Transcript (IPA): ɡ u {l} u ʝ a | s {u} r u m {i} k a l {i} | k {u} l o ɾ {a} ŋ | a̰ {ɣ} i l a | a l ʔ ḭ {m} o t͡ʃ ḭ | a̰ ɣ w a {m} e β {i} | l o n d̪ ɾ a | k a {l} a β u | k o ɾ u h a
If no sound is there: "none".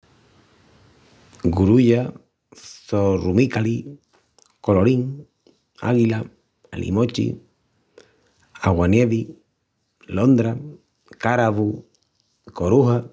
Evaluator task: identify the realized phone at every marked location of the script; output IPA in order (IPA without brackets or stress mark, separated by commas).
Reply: ɾ, o, i, i, o, i, ɣ, m, n, i, ɾ